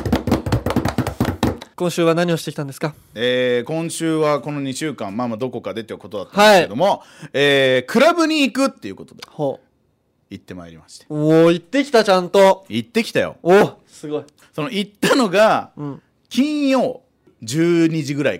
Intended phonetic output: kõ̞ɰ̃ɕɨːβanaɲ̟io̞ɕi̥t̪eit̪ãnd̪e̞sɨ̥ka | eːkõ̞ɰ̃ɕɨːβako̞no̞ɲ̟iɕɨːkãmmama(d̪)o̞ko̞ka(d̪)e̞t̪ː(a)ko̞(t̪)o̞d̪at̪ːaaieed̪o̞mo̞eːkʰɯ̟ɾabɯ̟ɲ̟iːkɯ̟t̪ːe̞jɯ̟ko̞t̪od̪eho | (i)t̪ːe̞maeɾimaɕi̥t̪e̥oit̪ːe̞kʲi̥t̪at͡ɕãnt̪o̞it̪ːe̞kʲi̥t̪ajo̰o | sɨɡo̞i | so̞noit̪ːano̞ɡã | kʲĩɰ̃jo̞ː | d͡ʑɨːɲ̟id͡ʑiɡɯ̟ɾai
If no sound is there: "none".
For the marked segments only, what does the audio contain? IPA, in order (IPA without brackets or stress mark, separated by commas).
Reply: d̪, d̪, e, t̪, i